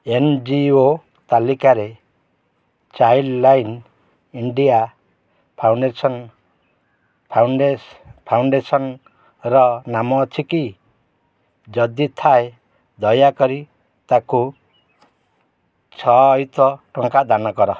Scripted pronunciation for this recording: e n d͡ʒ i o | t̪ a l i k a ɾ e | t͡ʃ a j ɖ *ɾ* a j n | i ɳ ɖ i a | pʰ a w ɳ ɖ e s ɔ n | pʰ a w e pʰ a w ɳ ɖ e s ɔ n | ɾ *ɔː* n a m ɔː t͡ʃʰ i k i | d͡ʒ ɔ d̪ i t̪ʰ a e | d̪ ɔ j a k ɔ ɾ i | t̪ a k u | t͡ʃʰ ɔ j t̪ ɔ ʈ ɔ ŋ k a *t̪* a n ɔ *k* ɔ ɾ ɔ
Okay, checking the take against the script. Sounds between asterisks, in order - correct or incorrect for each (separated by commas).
incorrect, incorrect, incorrect, correct